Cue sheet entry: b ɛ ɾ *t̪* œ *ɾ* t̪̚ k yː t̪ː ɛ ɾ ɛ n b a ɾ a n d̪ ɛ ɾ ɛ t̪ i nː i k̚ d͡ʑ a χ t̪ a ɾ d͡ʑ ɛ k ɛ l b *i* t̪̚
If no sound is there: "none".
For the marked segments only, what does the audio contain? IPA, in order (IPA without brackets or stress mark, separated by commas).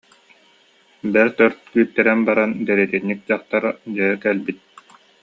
t̪, ɾ, i